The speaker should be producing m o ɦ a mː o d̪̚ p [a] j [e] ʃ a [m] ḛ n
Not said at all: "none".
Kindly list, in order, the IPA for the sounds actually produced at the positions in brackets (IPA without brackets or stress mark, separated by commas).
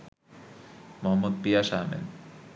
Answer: i, a, m